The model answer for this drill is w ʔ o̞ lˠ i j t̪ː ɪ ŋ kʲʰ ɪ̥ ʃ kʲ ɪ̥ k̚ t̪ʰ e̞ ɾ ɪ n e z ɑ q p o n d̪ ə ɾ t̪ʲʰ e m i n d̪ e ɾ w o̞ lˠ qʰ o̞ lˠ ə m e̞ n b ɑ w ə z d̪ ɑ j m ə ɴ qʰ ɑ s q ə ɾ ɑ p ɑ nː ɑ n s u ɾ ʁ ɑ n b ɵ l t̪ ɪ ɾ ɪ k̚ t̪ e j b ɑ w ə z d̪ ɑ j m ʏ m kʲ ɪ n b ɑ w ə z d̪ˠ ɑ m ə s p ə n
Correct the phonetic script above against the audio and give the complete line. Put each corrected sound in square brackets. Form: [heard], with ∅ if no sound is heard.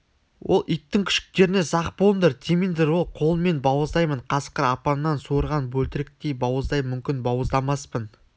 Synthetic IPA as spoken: w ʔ o̞ lˠ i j t̪ː ɪ ŋ kʲʰ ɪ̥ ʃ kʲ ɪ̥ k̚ [t̪] e̞ ɾ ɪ n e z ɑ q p o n d̪ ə ɾ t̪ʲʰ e m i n d̪ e ɾ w o̞ lˠ qʰ o̞ lˠ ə m e̞ n b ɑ w ə z d̪ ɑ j m ə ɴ qʰ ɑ s q ə ɾ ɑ p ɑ nː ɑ n s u ɾ ʁ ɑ n b ɵ l t̪ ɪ ɾ ɪ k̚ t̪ e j b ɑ w ə z d̪ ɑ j m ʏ m kʲ ɪ n b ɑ w ə z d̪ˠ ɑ m [ɑ] s p ə n

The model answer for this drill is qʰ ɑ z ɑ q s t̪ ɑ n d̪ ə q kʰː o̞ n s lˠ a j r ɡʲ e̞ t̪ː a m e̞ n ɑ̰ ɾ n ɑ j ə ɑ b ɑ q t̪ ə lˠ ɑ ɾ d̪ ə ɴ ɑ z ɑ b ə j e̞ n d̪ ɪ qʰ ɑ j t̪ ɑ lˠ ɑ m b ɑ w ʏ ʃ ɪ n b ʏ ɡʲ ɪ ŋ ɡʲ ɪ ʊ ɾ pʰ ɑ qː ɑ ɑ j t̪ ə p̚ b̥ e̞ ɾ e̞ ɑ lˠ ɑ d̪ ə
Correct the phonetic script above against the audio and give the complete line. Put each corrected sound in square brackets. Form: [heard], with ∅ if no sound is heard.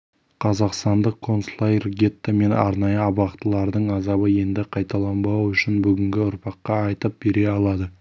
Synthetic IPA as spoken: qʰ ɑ z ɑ q s t̪ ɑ n d̪ ə q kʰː o̞ n s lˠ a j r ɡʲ e̞ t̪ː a m e̞ n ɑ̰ ɾ n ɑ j ə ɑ b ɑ q t̪ ə lˠ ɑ ɾ d̪ ə ɴ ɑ z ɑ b ə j e̞ n d̪ ɪ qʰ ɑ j t̪ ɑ lˠ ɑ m b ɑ w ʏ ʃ ɪ n b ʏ ɡʲ ɪ ŋ ɡʲ ɪ ʊ ɾ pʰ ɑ qː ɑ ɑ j t̪ ə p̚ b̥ e̞ ɾ e̞ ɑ lˠ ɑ d̪ ə

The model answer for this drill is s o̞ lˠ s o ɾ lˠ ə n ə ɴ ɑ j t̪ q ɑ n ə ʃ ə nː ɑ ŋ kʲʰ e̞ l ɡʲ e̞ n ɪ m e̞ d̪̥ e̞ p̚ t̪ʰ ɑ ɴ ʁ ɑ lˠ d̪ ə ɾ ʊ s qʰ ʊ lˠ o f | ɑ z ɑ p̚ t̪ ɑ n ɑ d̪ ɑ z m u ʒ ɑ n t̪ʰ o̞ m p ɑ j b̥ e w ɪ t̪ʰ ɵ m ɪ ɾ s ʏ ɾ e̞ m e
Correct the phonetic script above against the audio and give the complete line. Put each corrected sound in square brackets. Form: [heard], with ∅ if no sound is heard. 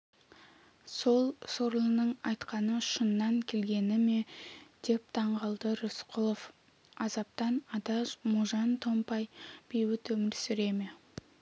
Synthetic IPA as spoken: s o̞ lˠ s o ɾ lˠ ə n ə ɴ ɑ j t̪ q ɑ n ə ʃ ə nː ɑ ŋ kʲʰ e̞ l ɡʲ e̞ n ɪ m e̞ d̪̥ e̞ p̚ t̪ʰ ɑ ɴ ʁ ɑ lˠ d̪ ə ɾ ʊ s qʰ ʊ lˠ o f | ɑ z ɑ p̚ t̪ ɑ n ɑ d̪ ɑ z m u ʒ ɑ n t̪ʰ o̞ m p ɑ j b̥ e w ɪ [t̪] ɵ m ɪ ɾ s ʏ ɾ e̞ m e

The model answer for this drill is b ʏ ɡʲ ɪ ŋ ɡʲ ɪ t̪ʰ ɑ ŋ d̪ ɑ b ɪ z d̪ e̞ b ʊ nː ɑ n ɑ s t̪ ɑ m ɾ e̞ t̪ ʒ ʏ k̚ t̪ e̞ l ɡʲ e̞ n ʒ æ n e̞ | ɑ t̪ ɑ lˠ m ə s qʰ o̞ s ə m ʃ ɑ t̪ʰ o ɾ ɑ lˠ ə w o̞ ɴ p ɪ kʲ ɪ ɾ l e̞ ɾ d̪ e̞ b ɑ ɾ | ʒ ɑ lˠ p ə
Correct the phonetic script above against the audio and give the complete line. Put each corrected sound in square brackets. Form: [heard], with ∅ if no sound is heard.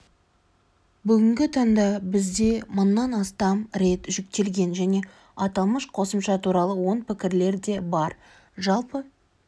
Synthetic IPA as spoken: b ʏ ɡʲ ɪ ŋ ɡʲ ɪ t̪ʰ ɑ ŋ d̪ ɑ b ɪ z d̪ e̞ [m] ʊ nː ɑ n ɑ s t̪ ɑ m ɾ e̞ t̪ ʒ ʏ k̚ t̪ e̞ l ɡʲ e̞ n ʒ æ n e̞ | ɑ t̪ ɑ lˠ m ə [ʃ] qʰ o̞ s ə m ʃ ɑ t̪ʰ [u] ɾ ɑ lˠ ə w o̞ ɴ p ɪ kʲ ɪ ɾ l e̞ ɾ d̪ e̞ b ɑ ɾ | ʒ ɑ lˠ p ə

